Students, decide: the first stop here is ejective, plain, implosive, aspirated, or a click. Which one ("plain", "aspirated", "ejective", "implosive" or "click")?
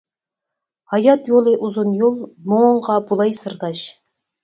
plain